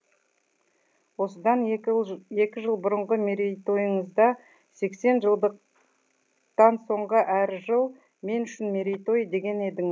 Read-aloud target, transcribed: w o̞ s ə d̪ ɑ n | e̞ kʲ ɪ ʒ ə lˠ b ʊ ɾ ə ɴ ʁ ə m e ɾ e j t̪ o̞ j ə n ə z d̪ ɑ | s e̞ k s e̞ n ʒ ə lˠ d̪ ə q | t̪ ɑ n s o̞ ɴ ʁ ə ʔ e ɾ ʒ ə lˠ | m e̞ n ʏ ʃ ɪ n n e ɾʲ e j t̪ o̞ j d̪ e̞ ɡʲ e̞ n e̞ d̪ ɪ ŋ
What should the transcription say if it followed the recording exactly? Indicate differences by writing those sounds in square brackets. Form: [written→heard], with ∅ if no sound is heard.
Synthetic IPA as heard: w o̞ s ə d̪ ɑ n | e̞ kʲ ɪ ʒ ə lˠ b ʊ ɾ ə ɴ ʁ ə m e ɾ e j t̪ o̞ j ə [n→ɴ] ə z d̪ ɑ | s e̞ k s e̞ n ʒ ə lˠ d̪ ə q | t̪ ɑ n s o̞ ɴ ʁ ə ʔ [e→æ] ɾ ʒ ə lˠ | m e̞ n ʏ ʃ ɪ n [n→m] e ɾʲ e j t̪ o̞ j d̪ e̞ ɡʲ e̞ n e̞ d̪ ɪ ŋ